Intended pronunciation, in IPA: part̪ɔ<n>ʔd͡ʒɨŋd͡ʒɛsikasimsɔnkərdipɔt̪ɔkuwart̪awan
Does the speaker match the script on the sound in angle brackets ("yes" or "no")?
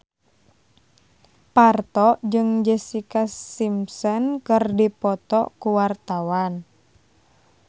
no